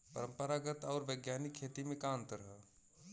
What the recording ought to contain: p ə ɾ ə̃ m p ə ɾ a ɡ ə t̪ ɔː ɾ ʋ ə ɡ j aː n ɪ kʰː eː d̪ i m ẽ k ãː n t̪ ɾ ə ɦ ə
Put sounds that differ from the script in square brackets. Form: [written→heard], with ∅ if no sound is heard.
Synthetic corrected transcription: p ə ɾ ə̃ m p ə ɾ a ɡ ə t̪ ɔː ɾ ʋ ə ɡ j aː n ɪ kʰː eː [d̪→t̪] i m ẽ k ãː n t̪ ɾ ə ɦ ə

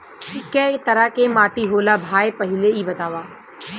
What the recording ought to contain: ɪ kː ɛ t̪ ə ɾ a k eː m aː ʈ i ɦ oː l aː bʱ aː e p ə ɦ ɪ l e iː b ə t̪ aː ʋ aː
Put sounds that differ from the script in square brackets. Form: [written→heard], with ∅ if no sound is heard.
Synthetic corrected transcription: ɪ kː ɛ t̪ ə ɾ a k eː m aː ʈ i ɦ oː l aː bʱ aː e p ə ɦ ɪ l e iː b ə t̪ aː ʋ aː

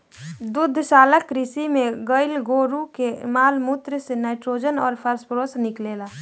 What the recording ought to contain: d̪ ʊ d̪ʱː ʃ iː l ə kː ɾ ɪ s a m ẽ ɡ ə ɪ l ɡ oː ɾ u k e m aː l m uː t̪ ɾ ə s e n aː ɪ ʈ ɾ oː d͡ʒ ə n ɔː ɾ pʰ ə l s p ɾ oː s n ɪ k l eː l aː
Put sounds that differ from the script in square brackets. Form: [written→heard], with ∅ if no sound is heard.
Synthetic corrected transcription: d̪ ʊ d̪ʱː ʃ [iː→aː] l ə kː ɾ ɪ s [a→i] m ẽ ɡ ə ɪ l ɡ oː ɾ u k e m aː l m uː t̪ ɾ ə s e n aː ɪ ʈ ɾ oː d͡ʒ ə n ɔː ɾ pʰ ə [l→ɾ] s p ɾ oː s n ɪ k l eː l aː

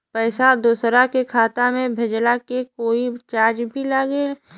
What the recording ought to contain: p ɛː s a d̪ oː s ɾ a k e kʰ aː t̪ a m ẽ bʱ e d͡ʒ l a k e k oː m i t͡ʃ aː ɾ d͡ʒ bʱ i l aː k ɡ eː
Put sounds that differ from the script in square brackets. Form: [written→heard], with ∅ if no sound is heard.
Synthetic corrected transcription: p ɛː s a d̪ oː s ɾ a k e kʰ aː t̪ a m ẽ bʱ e d͡ʒ l a k e k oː [m→∅] i t͡ʃ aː ɾ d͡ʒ bʱ i l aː [k→∅] ɡ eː

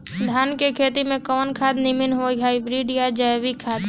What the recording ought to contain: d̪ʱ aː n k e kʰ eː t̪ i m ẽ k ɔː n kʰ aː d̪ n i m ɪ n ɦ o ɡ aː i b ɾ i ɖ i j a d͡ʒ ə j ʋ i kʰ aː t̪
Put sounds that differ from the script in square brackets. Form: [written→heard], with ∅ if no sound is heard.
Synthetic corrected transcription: d̪ʱ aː n k e kʰ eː t̪ i m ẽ k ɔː n kʰ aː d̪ n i m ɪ n ɦ o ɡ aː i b ɾ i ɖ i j a d͡ʒ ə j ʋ i kʰ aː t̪

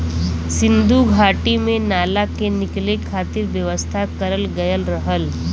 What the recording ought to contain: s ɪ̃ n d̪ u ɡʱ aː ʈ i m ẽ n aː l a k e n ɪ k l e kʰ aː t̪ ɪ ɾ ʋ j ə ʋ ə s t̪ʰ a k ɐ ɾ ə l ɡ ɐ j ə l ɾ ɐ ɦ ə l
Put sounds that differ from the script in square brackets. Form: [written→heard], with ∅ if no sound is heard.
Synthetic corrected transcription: s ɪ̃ n d̪ u ɡʱ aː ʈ i m ẽ n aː l a k e n ɪ k l e kʰ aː t̪ ɪ ɾ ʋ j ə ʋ ə s t̪ʰ a k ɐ ɾ ə l ɡ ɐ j ə l ɾ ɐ ɦ ə l

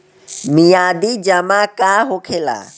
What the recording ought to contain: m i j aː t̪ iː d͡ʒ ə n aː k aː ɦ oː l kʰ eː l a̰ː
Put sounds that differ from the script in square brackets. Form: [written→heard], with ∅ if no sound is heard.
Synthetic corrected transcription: m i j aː [t̪→d̪] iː d͡ʒ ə [n→m] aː k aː ɦ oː [l→∅] kʰ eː l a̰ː

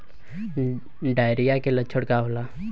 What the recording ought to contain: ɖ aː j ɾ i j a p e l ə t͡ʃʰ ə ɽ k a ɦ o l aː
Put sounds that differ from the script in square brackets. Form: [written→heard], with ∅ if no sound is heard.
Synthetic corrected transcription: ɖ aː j ɾ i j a [p→k] e l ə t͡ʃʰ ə ɽ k a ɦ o l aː

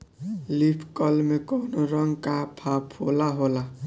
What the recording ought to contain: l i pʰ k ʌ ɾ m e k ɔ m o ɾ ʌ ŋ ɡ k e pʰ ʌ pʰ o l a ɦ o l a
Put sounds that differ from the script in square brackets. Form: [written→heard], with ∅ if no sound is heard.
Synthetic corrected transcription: l i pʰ k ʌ [ɾ→l] m e k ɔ [m→n] o ɾ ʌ ŋ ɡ k [e→a] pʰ [ʌ→a] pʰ o l a ɦ o l a

